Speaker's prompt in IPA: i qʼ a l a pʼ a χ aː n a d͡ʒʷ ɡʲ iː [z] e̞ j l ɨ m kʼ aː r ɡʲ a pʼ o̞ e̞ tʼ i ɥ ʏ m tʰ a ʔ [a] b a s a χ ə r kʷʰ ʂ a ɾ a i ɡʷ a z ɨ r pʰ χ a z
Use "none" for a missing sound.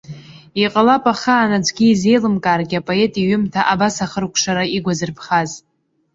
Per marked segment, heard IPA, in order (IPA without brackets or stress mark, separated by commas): z, a